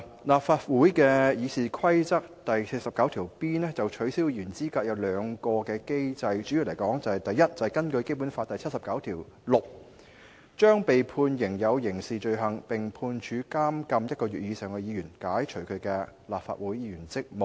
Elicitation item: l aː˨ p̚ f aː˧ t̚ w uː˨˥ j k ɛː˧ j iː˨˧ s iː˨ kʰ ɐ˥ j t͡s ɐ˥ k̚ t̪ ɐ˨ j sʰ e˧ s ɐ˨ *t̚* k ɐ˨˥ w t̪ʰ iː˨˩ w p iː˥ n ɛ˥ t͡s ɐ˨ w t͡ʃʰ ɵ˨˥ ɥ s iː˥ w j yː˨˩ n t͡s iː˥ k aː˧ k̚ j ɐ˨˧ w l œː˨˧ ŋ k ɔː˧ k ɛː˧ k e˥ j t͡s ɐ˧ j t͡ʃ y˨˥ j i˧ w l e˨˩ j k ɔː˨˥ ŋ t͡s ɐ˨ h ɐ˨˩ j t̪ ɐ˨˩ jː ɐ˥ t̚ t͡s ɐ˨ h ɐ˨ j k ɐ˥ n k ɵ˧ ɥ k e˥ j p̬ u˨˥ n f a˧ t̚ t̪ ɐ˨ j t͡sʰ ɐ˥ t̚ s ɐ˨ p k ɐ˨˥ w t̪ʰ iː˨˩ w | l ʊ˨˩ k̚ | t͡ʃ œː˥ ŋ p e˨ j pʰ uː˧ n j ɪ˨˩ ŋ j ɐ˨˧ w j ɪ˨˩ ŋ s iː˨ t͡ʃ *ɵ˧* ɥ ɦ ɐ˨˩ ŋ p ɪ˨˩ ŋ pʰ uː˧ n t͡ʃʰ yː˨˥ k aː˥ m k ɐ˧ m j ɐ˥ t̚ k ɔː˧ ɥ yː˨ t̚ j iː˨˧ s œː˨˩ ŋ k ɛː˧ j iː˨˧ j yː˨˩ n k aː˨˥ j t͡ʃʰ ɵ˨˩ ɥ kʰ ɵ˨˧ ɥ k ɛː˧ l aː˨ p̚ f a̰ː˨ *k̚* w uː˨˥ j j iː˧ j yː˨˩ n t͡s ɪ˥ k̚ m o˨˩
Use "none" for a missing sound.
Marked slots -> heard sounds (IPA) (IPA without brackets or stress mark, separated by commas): p̚, ɵ˧, t̚